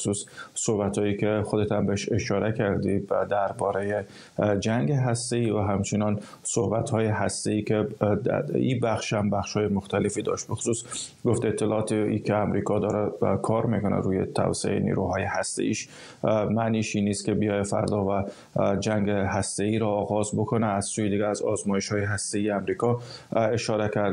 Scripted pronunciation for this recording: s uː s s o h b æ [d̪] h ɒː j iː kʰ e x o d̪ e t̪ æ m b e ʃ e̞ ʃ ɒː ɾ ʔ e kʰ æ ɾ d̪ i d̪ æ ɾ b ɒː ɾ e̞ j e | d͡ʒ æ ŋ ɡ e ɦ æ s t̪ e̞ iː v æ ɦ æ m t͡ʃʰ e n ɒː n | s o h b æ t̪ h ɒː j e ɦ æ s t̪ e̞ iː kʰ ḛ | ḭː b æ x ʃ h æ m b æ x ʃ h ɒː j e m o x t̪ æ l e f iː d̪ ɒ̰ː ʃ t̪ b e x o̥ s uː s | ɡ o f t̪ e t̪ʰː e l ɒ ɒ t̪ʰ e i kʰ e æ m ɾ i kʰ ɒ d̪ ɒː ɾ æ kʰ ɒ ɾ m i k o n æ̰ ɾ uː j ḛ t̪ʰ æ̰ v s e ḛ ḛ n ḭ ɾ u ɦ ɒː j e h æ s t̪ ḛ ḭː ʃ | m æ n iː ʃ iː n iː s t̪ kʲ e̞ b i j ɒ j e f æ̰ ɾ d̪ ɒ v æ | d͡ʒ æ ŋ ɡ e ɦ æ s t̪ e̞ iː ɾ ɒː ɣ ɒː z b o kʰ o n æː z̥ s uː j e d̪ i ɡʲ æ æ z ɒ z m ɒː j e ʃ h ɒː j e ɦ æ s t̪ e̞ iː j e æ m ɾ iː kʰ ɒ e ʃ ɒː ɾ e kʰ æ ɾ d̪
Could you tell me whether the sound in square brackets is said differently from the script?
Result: yes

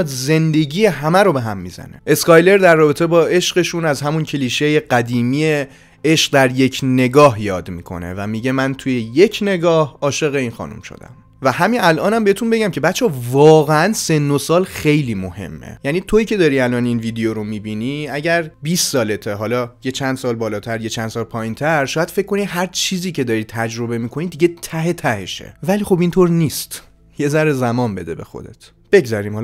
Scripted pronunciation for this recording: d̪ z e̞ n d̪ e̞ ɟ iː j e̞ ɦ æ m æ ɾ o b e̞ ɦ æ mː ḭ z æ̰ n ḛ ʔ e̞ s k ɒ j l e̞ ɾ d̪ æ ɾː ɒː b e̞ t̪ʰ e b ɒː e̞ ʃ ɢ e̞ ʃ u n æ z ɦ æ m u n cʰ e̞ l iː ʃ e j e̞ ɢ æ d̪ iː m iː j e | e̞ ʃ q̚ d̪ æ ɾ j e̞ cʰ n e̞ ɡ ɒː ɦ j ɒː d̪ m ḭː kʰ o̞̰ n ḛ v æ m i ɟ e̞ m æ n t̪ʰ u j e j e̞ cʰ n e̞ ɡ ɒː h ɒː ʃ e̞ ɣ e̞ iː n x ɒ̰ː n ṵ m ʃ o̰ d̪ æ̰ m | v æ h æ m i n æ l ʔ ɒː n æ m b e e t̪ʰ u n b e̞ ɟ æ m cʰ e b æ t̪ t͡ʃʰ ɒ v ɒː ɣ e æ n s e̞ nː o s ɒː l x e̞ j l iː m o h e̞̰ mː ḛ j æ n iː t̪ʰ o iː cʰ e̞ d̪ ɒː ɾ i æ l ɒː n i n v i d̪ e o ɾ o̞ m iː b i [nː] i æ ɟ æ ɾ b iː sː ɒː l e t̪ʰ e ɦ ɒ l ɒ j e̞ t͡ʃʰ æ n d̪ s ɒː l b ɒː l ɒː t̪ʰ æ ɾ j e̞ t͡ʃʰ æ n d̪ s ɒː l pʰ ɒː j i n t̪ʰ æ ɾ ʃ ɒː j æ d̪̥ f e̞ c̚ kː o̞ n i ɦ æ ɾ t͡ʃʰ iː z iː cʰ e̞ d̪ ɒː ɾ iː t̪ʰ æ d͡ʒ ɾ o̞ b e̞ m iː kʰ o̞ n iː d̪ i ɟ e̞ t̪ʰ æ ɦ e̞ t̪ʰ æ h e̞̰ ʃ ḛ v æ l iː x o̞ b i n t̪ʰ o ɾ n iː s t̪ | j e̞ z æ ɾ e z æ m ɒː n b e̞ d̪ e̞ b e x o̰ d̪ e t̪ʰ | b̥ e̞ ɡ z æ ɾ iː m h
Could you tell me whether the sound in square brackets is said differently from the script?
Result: yes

